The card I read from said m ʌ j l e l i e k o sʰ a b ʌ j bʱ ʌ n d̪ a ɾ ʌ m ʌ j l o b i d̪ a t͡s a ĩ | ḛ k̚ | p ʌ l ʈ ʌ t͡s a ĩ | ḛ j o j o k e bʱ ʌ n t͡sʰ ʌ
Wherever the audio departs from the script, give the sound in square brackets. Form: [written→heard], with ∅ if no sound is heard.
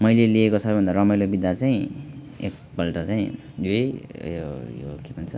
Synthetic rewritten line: m ʌ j l e l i e k o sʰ [a→ʌ] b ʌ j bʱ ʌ n d̪ a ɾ ʌ m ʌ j l o b i d̪ a t͡s a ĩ | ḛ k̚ | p ʌ l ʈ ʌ t͡s a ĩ | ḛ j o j o k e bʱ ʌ n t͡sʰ ʌ

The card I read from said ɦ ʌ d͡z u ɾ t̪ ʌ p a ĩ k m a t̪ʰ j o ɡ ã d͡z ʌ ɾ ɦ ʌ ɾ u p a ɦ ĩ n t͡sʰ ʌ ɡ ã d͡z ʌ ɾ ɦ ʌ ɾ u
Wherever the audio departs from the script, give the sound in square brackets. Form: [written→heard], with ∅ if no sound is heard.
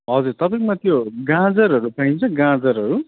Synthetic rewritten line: ɦ ʌ d͡z u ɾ t̪ ʌ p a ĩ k m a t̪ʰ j o ɡ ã d͡z ʌ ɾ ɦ ʌ ɾ u p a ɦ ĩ n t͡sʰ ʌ ɡ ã d͡z ʌ ɾ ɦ ʌ ɾ u

